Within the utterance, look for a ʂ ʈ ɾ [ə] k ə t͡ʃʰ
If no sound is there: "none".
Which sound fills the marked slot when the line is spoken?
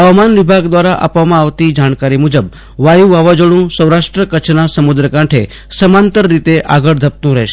ə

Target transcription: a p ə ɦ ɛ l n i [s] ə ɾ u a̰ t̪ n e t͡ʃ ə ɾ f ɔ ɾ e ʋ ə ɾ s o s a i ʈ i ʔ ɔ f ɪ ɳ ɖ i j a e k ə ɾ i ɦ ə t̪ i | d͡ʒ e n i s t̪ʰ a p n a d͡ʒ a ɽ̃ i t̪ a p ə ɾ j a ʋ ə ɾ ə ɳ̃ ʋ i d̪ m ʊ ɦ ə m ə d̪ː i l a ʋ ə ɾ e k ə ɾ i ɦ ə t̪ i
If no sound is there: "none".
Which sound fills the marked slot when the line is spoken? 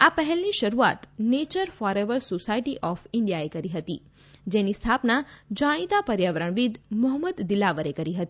ʃ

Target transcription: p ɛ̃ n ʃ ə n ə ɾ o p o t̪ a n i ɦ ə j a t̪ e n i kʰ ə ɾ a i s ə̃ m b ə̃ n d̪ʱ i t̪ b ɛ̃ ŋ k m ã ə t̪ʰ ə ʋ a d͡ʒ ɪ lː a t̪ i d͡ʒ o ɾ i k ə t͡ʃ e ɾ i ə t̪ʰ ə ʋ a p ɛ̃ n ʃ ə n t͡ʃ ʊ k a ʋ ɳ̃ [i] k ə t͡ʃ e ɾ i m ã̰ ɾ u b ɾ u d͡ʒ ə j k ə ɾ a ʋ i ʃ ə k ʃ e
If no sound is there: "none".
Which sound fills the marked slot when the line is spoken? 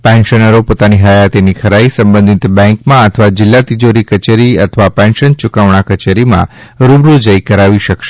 a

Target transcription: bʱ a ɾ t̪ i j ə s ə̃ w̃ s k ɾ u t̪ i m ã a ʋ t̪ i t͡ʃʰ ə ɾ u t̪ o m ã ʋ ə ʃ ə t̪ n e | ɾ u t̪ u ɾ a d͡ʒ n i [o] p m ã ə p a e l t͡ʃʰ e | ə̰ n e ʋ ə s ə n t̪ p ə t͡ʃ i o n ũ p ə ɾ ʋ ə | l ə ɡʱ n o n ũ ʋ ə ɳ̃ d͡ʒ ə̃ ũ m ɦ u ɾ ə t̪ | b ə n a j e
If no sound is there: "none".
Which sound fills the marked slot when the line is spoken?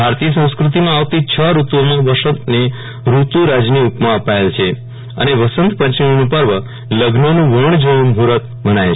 u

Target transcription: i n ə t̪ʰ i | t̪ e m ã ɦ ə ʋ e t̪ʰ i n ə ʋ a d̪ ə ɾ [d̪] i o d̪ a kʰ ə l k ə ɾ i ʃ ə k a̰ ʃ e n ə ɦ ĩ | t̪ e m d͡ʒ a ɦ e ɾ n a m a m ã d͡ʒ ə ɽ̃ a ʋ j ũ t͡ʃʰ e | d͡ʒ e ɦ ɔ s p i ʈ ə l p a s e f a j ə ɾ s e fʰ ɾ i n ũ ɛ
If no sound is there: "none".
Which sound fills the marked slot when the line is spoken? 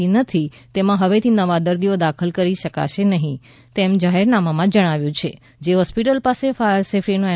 d̪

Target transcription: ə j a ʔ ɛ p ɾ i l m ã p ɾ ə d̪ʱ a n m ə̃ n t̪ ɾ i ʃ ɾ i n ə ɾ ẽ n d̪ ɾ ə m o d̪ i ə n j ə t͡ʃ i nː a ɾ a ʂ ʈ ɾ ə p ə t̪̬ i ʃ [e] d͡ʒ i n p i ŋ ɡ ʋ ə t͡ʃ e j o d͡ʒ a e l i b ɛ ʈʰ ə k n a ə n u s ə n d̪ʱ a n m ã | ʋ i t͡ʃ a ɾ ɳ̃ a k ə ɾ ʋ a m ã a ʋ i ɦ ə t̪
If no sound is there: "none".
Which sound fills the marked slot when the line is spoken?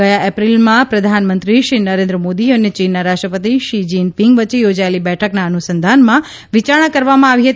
i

